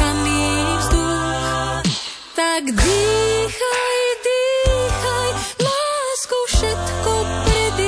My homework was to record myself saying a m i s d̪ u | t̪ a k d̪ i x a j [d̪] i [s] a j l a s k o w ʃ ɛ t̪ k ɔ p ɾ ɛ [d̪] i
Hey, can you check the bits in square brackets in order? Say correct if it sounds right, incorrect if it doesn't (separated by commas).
correct, incorrect, correct